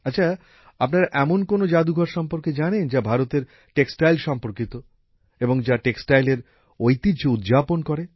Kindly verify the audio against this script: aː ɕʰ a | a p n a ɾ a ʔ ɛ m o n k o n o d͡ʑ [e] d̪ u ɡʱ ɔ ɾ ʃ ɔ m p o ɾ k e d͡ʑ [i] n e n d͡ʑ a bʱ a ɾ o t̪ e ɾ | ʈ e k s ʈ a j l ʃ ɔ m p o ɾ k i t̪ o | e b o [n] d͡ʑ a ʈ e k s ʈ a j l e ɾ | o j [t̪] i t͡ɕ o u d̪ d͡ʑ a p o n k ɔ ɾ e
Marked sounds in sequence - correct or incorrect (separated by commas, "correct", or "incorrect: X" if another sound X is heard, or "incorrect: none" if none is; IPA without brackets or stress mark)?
incorrect: a, incorrect: a, incorrect: ŋ, correct